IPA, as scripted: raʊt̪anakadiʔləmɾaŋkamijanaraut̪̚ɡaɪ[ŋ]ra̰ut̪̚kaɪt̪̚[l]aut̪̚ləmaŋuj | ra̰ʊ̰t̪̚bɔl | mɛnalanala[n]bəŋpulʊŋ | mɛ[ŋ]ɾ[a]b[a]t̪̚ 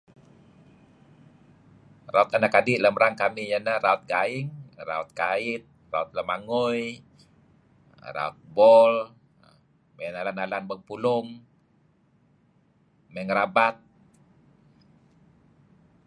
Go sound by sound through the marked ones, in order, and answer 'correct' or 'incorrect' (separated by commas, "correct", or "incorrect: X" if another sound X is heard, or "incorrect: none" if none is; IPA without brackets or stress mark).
correct, incorrect: r, correct, correct, correct, correct